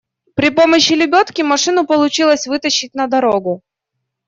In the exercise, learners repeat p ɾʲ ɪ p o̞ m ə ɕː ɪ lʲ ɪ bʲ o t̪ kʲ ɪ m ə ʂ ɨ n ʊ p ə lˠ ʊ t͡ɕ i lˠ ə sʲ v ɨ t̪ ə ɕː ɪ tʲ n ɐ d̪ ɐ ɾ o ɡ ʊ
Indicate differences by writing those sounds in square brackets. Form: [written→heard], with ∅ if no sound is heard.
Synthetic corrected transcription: p ɾʲ ɪ p o̞ m ə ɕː ɪ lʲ ɪ bʲ o t̪ kʲ ɪ m [ə→ɐ] ʂ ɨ n ʊ p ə lˠ ʊ t͡ɕ i lˠ ə sʲ v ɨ t̪ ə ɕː ɪ tʲ n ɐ d̪ ɐ ɾ o ɡ ʊ

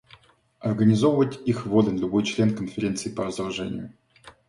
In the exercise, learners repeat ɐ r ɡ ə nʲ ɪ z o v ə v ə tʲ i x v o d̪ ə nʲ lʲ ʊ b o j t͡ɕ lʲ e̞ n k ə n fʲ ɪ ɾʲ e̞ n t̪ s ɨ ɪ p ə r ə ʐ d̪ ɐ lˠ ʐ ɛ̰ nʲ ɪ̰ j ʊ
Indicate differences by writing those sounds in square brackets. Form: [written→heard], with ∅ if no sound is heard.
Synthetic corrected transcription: ɐ r ɡ ə nʲ ɪ z o v ə v ə tʲ i x v o d̪ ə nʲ lʲ ʊ b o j t͡ɕ lʲ e̞ n k ə n fʲ ɪ ɾʲ e̞ n t̪ s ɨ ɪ p ə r ə [ʐ→z] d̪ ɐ lˠ ʐ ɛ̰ nʲ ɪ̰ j ʊ

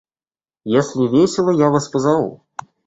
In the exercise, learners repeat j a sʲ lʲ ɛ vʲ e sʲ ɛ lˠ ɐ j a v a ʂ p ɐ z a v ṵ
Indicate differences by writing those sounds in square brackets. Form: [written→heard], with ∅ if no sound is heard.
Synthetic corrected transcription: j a sʲ lʲ [ɛ→i] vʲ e sʲ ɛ lˠ ɐ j a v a [ʂ→s] p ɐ z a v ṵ

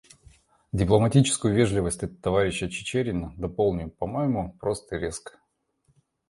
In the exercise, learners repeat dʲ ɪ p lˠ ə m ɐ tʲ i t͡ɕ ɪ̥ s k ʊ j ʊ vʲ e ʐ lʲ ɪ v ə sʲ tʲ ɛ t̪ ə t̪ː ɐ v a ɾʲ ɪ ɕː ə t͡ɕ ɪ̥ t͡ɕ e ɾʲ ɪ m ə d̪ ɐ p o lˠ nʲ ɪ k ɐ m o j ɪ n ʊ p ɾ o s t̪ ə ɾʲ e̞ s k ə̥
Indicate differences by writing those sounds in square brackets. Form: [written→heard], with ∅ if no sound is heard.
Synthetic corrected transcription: dʲ ɪ p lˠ ə m ɐ tʲ i t͡ɕ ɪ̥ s k ʊ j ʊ vʲ e ʐ lʲ ɪ v ə sʲ tʲ ɛ t̪ ə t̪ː ɐ v a ɾʲ ɪ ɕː ə t͡ɕ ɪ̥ t͡ɕ e ɾʲ ɪ [m→n] ə d̪ ɐ p o lˠ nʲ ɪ [k→p] ɐ m o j ɪ [n→m] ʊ p ɾ o s t̪ ə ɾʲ e̞ s k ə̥

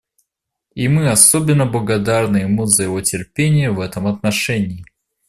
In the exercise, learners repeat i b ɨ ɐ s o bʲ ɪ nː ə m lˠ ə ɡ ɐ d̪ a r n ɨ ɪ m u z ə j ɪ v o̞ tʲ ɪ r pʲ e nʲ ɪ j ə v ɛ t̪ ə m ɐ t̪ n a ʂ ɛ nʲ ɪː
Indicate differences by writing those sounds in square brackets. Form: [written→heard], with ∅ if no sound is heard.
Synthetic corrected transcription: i [b→m] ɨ ɐ s o bʲ ɪ nː ə [m→b] lˠ ə ɡ ɐ d̪ a r n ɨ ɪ m u z ə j ɪ v o̞ tʲ ɪ r pʲ e nʲ ɪ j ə v ɛ t̪ ə m ɐ t̪ n [a→ɐ] ʂ ɛ nʲ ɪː

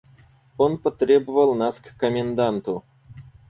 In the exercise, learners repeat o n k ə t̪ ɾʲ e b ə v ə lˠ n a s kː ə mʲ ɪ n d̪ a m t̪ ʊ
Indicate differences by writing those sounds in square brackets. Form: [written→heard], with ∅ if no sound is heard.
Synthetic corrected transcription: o n [k→p] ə t̪ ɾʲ e b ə v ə lˠ n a s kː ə mʲ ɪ n d̪ a [m→n] t̪ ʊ

